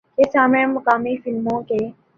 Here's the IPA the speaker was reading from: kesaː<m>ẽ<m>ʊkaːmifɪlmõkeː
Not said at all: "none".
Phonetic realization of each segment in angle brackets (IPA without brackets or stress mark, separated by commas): m, m